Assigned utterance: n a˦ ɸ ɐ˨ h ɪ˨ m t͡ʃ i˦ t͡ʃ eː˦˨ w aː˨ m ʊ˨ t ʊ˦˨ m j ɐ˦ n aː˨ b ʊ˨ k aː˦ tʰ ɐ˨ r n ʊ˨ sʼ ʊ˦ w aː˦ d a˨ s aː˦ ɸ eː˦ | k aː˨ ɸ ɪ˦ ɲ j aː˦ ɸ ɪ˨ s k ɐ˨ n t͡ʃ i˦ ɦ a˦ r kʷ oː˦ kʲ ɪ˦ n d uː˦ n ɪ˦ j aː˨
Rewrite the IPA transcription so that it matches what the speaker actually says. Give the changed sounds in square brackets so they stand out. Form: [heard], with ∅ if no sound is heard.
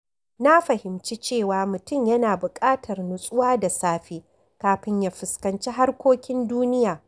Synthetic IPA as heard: n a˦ ɸ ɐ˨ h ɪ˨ m t͡ʃ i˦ t͡ʃ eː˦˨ w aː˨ m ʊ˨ t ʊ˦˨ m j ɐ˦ n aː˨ b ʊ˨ [kʼ] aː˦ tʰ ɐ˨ r n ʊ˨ sʼ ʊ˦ w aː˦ d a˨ s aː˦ ɸ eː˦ | k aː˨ ɸ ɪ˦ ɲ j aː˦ ɸ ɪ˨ s k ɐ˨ n t͡ʃ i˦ ɦ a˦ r kʷ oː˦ kʲ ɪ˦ n d uː˦ n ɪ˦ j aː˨